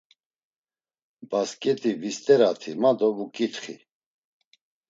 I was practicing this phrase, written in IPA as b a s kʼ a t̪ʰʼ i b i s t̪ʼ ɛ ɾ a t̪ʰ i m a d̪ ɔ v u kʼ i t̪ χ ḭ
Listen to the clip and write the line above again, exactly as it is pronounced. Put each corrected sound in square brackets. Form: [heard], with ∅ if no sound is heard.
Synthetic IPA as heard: b a s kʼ [ɛ] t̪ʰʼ i [v] i s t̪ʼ ɛ ɾ a t̪ʰ i m a d̪ ɔ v u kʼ i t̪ χ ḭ

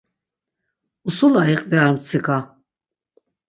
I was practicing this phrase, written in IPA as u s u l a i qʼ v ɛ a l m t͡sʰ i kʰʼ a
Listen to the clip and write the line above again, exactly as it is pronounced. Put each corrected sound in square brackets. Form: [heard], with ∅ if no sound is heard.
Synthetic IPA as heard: u s u l a i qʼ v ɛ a [ɾ] m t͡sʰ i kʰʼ a

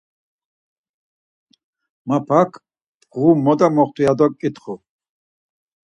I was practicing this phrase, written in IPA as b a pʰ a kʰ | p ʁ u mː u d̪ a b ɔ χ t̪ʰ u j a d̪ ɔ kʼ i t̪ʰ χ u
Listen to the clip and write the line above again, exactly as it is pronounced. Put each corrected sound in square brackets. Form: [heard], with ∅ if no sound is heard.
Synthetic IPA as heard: [m] a pʰ a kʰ | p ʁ u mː [ɔ] d̪ a [m] ɔ χ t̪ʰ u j a d̪ ɔ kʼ i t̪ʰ χ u

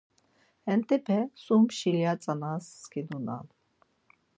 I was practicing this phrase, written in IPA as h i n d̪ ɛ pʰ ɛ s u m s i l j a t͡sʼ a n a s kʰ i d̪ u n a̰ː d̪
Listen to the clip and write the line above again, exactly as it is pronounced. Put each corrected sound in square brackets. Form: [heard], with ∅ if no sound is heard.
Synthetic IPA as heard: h [ɛ] n [t̪] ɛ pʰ ɛ s u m [ʃ] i l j a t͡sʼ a n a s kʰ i d̪ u n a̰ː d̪

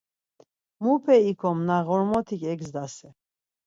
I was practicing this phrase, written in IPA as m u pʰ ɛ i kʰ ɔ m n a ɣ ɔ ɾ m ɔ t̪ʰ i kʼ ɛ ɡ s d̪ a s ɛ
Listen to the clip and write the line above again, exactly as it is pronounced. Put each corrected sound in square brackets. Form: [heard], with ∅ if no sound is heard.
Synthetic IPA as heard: m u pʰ ɛ i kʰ ɔ m n a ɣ ɔ ɾ m ɔ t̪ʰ i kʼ ɛ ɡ [z] d̪ a s ɛ

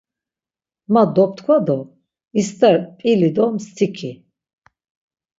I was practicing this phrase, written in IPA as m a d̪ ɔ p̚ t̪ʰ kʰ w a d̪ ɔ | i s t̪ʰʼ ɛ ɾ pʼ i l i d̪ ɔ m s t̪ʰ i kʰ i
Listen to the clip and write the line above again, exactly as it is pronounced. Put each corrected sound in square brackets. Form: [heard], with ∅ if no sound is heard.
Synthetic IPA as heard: m a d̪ ɔ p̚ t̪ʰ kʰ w a d̪ ɔ | i s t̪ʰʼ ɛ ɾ pʼ i l i d̪ ɔ m s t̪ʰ i kʰ i

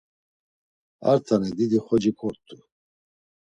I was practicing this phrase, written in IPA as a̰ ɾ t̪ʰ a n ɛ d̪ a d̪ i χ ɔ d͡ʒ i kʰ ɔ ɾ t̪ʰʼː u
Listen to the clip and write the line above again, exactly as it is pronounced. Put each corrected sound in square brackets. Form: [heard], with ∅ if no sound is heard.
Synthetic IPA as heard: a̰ ɾ t̪ʰ a n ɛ d̪ [i] d̪ i χ ɔ d͡ʒ i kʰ ɔ ɾ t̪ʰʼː u

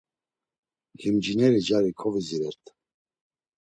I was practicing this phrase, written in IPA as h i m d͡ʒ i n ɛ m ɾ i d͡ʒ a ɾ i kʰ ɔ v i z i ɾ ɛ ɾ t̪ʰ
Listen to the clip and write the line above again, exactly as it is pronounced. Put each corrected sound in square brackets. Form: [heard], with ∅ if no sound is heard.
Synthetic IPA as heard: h i m d͡ʒ i n ɛ [∅] ɾ i d͡ʒ a ɾ i kʰ ɔ v i z i ɾ ɛ ɾ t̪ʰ

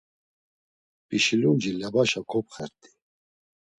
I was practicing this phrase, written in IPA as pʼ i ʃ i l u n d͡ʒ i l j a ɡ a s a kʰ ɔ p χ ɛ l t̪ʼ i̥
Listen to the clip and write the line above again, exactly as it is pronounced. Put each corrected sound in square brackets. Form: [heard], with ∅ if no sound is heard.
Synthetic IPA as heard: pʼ i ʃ i l u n d͡ʒ i l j a [b] a [ʃ] a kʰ ɔ p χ ɛ [ɾ] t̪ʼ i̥

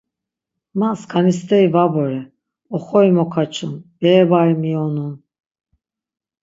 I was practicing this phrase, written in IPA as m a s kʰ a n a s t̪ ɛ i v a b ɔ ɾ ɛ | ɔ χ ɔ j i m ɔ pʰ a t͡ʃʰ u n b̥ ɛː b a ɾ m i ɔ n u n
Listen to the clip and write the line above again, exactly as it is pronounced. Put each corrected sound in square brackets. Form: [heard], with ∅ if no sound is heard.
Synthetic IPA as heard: m a s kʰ a n [i] s t̪ ɛ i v a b ɔ ɾ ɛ | ɔ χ ɔ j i m ɔ [kʰ] a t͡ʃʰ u n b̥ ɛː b a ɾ m i ɔ n u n

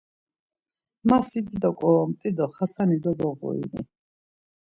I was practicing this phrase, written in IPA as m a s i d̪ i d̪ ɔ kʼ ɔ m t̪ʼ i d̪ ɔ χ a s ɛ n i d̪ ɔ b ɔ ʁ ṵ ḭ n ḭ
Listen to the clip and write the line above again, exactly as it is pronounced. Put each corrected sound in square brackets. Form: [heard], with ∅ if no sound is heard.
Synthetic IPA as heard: m a s i d̪ i d̪ ɔ kʼ ɔ m t̪ʼ i d̪ ɔ χ a s [a] n i d̪ ɔ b ɔ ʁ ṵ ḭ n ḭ

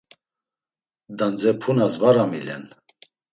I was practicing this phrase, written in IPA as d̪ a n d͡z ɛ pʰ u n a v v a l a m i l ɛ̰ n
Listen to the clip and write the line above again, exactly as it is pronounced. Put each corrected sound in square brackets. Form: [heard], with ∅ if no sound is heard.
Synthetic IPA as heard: d̪ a n d͡z ɛ pʰ u n a [z] v a [ɾ] a m i l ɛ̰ n

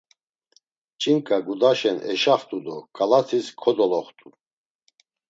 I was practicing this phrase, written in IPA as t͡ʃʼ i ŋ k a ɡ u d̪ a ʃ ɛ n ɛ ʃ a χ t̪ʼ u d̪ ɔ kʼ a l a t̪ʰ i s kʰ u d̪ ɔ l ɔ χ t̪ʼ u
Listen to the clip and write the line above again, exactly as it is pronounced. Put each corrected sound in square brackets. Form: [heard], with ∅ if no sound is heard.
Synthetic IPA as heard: t͡ʃʼ i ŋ [kʼ] a ɡ u d̪ a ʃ ɛ n ɛ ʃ a χ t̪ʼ u d̪ ɔ kʼ a l a t̪ʰ i s kʰ [ɔ] d̪ ɔ l ɔ χ t̪ʼ u

